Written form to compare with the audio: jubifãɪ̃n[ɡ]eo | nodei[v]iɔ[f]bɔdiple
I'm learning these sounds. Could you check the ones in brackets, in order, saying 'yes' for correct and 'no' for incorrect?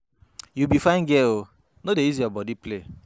yes, no, no

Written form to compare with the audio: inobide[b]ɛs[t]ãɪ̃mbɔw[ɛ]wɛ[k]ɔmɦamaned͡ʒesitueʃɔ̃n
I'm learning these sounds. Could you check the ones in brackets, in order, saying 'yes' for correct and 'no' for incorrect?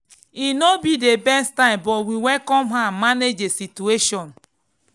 yes, yes, no, yes

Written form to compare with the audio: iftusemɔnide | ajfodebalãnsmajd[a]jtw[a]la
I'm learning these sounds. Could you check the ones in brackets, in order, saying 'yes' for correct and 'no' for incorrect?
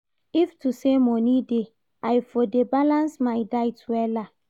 yes, no

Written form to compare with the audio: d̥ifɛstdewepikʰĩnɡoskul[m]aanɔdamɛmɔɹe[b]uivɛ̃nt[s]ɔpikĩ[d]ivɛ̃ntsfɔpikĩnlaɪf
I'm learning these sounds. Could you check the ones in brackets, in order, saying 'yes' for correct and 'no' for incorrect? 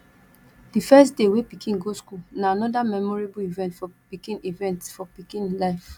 no, yes, no, no

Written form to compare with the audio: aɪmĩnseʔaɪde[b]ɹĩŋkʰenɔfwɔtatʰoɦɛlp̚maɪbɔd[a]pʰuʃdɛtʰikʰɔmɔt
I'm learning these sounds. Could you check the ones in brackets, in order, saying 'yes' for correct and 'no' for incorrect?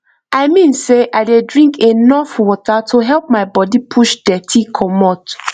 no, no

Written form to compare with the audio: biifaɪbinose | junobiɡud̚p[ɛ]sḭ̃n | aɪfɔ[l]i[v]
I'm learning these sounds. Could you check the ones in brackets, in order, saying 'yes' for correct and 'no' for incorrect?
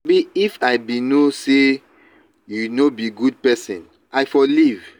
yes, yes, yes

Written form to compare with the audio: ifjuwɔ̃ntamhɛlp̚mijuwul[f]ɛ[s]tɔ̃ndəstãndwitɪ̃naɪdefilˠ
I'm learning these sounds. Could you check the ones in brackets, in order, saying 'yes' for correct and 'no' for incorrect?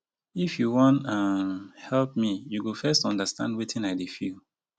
yes, yes

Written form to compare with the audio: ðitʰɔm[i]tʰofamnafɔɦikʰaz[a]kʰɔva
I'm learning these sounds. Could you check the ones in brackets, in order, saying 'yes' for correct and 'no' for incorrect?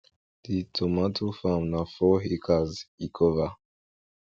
no, no

